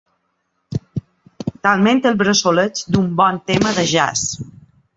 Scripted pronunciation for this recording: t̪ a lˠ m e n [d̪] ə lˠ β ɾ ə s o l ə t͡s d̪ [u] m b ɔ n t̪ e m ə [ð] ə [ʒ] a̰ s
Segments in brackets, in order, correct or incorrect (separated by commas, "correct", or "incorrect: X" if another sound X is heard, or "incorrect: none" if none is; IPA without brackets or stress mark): incorrect: t̪, correct, correct, correct